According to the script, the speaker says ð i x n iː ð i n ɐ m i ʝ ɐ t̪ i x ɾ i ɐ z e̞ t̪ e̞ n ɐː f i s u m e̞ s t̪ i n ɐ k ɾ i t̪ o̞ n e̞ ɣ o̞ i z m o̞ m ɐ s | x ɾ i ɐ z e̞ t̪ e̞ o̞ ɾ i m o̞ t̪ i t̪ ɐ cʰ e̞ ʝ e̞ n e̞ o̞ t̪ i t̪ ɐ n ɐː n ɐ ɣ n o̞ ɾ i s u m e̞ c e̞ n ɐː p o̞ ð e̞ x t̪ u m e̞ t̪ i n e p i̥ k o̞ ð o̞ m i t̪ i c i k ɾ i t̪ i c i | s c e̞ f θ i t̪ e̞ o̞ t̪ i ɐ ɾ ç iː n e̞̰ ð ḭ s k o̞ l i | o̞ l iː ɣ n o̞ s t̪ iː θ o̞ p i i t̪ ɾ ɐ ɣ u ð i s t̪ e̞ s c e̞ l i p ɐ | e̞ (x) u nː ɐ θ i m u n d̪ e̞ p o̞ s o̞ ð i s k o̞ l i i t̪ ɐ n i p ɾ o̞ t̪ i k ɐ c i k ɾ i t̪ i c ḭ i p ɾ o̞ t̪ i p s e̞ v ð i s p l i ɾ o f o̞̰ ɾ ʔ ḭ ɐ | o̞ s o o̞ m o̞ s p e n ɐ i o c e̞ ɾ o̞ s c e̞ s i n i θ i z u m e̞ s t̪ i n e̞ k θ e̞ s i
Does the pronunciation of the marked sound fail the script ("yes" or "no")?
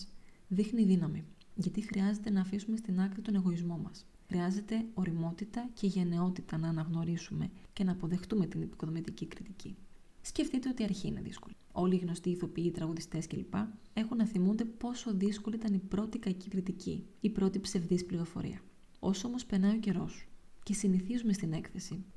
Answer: no